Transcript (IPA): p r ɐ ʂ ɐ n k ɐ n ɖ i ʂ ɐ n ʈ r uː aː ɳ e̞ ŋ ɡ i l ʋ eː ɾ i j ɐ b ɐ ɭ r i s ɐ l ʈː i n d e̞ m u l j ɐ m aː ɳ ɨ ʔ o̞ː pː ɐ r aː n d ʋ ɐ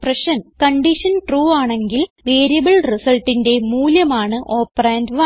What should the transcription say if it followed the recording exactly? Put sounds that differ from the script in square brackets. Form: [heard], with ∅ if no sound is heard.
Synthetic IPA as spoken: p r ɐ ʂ ɐ n k ɐ [ɳ] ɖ i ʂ ɐ n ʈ r uː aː ɳ e̞ ŋ ɡ i l ʋ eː ɾ i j ɐ b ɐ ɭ r i s ɐ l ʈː i n d e̞ m [uː] l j ɐ m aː ɳ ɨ ʔ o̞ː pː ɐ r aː n d ʋ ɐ